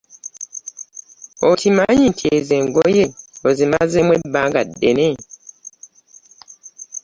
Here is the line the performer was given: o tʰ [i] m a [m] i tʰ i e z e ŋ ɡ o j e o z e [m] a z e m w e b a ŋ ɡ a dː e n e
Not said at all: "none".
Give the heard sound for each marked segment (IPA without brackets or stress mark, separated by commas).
i, ɲ, m